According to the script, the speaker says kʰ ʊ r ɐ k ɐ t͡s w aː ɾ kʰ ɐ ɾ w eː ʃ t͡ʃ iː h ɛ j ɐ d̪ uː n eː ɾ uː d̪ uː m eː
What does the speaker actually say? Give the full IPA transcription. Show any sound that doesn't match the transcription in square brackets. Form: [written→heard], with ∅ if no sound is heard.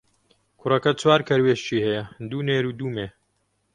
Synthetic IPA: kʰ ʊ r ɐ k ɐ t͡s w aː ɾ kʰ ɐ ɾ w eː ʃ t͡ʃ iː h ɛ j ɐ d̪ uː n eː ɾ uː d̪ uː m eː

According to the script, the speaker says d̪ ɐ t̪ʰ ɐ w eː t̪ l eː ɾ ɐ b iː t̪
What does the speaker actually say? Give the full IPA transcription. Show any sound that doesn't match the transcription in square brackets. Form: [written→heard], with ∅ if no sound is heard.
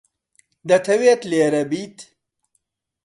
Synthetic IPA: d̪ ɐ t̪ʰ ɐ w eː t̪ l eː ɾ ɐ b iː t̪

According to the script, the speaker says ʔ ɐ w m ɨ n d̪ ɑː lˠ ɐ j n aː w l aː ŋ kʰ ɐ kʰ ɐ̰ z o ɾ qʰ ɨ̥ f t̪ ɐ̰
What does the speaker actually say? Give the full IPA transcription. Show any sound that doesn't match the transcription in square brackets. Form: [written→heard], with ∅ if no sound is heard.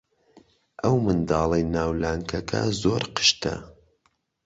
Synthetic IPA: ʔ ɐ w m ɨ n d̪ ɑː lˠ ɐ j n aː w l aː ŋ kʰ ɐ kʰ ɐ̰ z o ɾ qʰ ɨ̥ [f→ʃ] t̪ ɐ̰

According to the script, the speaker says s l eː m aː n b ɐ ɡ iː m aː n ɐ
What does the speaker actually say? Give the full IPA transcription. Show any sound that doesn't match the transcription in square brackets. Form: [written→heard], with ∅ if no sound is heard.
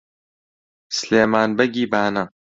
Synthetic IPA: s l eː m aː n b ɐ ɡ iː [m→b] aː n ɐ

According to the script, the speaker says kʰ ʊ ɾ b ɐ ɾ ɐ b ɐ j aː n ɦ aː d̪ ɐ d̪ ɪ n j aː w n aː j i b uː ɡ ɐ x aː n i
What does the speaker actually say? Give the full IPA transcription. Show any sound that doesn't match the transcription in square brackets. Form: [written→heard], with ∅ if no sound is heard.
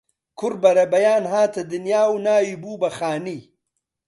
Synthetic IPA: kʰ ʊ ɾ b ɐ ɾ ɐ b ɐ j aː n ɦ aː [d̪→t̪] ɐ d̪ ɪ n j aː w n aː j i b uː [ɡ→b] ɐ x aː n i

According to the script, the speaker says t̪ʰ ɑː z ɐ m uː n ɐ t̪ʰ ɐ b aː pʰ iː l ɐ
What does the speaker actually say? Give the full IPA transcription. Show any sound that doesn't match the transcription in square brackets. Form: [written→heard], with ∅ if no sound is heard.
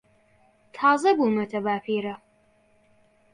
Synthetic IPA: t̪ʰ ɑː z ɐ [m→b] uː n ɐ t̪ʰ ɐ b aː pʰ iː [l→ɾ] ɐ

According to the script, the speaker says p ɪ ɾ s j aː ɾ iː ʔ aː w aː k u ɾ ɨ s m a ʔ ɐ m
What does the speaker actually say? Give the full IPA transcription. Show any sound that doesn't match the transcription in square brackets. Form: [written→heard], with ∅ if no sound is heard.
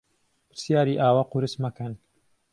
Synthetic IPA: p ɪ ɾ s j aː ɾ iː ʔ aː w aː [k→q] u ɾ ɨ s m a [ʔ→k] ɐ [m→n]

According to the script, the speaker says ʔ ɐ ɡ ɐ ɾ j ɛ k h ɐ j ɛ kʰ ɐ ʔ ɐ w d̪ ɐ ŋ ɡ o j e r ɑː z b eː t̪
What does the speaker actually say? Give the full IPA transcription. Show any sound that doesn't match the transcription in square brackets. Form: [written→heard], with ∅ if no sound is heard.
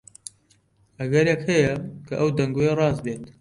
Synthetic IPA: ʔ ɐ ɡ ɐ ɾ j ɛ k h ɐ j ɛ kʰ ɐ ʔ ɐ w d̪ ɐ ŋ ɡ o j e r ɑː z b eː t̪

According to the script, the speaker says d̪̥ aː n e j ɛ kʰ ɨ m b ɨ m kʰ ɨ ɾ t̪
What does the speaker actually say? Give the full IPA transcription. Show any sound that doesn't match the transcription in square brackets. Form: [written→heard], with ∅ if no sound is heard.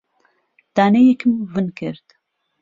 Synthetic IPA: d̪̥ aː n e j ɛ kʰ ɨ m [b→v] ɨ [m→n] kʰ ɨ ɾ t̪

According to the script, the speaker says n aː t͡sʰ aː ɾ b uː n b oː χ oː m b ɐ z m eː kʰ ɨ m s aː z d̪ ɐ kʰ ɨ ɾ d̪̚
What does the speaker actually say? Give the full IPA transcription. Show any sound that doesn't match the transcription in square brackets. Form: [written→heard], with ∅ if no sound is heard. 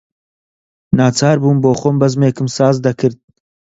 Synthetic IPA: n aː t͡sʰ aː ɾ b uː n b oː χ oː m b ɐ z m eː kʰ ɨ m s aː z d̪ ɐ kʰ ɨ ɾ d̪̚

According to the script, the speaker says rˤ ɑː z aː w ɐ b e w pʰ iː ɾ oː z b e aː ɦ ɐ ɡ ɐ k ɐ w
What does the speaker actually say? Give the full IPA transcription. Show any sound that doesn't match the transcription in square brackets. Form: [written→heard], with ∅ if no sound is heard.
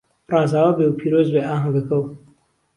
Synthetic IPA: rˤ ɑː z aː w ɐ b e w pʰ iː ɾ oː z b e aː ɦ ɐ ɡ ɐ k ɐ w

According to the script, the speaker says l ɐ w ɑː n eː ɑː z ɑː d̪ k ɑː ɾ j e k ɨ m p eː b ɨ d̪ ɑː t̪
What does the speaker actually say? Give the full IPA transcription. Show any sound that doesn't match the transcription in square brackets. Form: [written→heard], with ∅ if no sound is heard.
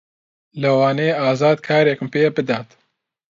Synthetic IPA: l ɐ w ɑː n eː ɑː z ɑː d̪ [k→kʰ] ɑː ɾ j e k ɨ m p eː b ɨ d̪ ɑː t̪

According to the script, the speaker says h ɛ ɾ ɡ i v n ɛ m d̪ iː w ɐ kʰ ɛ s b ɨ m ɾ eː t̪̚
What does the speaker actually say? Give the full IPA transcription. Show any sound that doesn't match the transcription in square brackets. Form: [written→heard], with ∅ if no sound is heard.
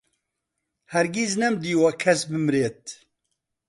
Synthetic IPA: h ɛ ɾ ɡ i [v→z] n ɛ m d̪ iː w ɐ kʰ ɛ s b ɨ m ɾ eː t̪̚

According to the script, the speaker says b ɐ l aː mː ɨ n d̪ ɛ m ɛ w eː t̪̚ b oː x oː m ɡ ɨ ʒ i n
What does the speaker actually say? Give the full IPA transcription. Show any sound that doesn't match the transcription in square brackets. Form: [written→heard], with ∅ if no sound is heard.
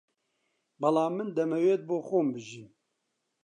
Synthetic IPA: b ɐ l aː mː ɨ n d̪ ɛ m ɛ w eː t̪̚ b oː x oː m [ɡ→b] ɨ ʒ i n

